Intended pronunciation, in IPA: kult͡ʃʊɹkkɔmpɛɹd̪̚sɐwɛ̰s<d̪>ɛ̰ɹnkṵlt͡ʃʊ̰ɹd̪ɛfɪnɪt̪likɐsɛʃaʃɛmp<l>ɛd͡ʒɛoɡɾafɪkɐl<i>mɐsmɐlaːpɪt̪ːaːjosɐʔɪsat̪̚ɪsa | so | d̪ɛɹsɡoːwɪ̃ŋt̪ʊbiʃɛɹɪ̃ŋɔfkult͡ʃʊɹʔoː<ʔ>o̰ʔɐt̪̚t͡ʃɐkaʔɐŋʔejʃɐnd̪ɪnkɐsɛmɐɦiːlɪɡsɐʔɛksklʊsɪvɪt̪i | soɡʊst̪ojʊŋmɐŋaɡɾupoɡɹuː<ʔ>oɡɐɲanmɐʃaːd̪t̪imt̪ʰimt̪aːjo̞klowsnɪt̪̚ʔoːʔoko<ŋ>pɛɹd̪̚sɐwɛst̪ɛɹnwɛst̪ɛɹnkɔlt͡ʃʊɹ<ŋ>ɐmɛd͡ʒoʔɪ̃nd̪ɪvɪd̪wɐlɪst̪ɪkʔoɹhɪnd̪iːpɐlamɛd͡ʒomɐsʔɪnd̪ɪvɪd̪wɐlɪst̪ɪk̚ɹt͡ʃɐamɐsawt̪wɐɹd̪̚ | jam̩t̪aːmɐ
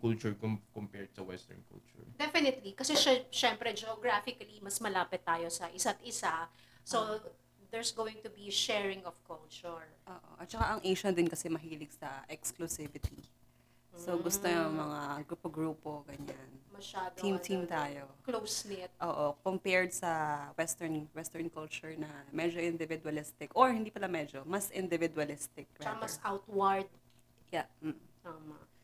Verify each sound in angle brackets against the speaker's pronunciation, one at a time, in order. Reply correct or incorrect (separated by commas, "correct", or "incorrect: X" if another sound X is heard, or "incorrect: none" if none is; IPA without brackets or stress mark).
incorrect: t̪, incorrect: ɾ, correct, correct, incorrect: p, incorrect: m, incorrect: n